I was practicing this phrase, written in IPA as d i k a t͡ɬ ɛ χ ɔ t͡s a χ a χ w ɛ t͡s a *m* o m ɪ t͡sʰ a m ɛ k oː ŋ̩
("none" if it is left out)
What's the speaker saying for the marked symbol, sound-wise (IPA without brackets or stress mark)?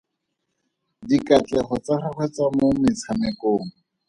m